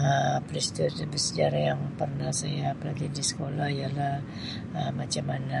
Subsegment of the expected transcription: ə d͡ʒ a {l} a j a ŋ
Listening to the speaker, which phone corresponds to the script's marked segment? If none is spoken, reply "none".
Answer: ɾ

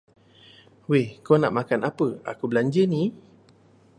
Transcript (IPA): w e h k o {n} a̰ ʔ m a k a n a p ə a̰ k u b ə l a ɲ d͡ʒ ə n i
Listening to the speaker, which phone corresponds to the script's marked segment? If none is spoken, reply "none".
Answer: n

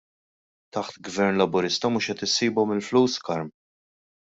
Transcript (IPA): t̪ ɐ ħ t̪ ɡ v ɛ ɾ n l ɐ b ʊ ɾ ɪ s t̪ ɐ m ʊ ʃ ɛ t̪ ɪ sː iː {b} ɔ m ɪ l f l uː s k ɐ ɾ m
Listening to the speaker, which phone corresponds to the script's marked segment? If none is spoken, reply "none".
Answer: b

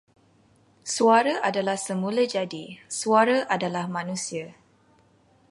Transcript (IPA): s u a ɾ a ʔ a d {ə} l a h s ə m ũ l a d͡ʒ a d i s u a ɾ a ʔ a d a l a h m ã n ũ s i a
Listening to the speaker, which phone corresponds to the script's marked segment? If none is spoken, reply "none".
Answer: a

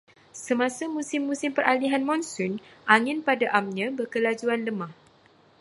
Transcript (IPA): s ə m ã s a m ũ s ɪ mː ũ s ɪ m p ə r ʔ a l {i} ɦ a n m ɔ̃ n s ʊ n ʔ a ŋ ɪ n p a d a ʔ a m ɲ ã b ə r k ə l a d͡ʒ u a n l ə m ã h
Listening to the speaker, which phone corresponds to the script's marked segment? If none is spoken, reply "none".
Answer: i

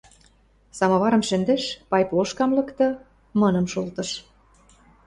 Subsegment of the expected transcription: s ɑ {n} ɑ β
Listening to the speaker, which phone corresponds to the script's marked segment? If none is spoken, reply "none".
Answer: m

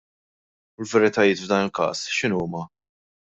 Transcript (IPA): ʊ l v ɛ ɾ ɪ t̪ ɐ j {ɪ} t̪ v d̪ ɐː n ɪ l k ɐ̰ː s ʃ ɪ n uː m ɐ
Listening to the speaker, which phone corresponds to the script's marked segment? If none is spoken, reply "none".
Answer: ɪː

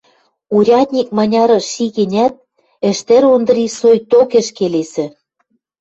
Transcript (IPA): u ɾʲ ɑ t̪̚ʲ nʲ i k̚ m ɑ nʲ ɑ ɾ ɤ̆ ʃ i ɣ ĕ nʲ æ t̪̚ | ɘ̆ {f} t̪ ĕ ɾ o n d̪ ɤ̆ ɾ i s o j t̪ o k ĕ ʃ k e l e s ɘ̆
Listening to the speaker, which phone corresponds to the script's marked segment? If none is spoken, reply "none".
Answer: ʃ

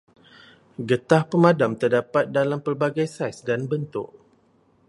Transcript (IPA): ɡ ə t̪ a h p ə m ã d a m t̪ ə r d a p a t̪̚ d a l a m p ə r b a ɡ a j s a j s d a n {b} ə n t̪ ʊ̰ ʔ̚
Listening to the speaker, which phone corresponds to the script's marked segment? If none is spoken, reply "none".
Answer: b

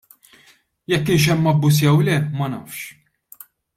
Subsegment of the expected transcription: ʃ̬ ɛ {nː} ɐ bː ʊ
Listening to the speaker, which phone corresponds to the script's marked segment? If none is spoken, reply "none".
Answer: mː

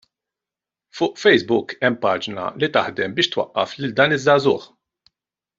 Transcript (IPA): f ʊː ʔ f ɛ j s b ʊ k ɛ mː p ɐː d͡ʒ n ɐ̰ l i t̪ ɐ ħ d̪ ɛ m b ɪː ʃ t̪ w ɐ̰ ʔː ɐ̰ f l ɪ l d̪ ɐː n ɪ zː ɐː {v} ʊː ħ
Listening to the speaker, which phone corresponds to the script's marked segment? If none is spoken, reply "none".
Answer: z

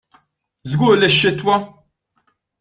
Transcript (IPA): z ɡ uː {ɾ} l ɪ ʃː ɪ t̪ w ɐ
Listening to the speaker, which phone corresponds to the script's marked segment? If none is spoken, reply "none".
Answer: ɾ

